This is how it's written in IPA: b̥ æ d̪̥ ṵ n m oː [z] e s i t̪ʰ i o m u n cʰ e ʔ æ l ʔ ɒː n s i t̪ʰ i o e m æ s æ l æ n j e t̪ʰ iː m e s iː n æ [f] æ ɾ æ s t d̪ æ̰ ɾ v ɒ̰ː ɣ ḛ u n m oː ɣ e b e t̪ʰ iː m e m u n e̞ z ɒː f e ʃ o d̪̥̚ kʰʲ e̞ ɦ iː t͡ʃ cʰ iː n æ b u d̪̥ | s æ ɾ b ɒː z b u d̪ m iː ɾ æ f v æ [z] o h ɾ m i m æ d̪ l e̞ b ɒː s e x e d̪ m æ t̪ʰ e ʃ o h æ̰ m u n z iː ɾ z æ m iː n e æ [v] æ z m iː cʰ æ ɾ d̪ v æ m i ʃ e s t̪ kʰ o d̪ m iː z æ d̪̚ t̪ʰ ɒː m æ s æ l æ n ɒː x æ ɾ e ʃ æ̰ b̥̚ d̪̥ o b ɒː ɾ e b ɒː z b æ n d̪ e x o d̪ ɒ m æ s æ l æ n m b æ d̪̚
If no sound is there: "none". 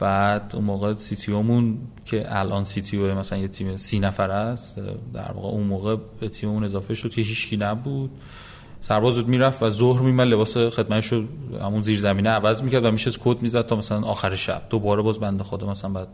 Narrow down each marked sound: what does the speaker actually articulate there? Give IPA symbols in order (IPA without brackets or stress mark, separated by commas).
ɣ, f, z, v